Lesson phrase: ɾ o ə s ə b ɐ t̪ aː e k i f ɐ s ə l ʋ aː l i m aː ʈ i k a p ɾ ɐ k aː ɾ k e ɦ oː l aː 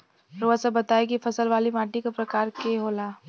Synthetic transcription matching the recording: ɾ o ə s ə b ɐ t̪ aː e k i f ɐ s ə l ʋ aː l i m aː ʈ i k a p ɾ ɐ k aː ɾ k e ɦ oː l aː